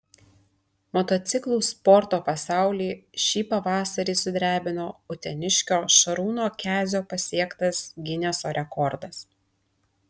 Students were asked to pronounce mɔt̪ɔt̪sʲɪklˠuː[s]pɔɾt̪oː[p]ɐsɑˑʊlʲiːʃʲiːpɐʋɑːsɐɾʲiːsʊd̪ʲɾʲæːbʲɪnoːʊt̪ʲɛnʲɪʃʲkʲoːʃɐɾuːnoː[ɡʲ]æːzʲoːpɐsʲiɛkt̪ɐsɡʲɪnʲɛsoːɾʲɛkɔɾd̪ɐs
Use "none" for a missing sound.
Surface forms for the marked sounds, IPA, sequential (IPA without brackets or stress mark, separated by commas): s, p, kʲ